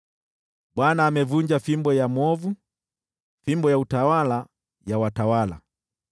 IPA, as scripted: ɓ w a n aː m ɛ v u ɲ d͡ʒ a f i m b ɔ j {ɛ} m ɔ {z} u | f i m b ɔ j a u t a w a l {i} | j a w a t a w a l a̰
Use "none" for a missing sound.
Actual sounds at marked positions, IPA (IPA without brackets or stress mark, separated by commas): a, v, a